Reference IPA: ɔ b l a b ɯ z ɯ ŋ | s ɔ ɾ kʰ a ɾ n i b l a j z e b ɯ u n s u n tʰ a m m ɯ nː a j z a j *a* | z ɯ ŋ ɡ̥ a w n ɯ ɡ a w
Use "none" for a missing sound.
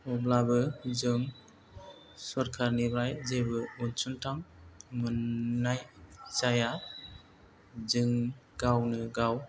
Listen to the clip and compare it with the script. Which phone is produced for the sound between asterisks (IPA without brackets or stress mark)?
a